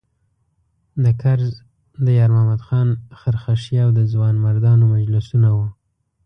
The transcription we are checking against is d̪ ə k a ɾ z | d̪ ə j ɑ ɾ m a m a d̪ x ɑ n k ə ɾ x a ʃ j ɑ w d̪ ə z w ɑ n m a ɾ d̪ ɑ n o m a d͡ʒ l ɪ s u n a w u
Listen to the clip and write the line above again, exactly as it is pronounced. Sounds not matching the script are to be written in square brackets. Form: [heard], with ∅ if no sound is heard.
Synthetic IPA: d̪ ə k a ɾ z | d̪ ə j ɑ ɾ m a m a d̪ x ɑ n [x] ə ɾ x a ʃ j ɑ w d̪ ə z w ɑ n m a ɾ d̪ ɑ n o m a d͡ʒ l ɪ s u n a w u